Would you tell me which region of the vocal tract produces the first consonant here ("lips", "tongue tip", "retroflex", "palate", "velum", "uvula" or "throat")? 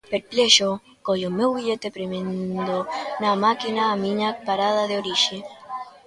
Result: lips